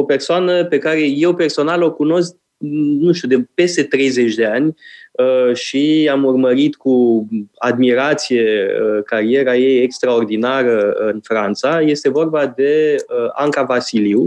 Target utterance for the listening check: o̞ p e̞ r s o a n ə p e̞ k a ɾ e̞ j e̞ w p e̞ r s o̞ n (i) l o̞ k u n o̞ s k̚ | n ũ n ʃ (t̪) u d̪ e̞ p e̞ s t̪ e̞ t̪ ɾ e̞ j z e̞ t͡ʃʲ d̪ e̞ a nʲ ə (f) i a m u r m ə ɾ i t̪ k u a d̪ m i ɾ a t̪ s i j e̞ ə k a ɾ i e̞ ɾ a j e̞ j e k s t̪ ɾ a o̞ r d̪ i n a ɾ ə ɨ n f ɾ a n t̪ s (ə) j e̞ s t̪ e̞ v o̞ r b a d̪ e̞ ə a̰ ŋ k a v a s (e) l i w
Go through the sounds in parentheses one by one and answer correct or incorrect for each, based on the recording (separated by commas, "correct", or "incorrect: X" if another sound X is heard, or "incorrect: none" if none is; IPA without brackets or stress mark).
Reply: incorrect: a, correct, incorrect: ʃ, incorrect: a, incorrect: i